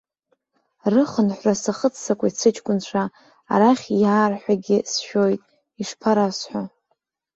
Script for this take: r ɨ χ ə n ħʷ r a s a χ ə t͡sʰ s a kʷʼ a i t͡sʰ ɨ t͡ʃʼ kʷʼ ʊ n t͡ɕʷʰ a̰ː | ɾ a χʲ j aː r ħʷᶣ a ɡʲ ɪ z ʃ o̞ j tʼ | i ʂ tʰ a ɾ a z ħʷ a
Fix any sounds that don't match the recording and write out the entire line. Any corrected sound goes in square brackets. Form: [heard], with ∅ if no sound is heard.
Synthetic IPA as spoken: r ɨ χ ə n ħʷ r a s a χ ə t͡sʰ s a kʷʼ a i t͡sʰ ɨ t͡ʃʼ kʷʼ ʊ n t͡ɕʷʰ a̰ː | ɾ a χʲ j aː r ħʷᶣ a ɡʲ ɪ [s] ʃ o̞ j tʼ | i ʂ [pʰ] a ɾ a [s] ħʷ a